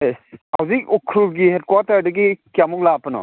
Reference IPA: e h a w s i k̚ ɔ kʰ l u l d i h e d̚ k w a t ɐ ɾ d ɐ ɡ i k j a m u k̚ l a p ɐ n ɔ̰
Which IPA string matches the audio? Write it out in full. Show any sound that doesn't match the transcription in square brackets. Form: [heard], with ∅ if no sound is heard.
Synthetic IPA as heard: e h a w [z] i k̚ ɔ kʰ [ɾ] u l [ɡ] i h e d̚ k w a t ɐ ɾ d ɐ ɡ i k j a m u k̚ l a p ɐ n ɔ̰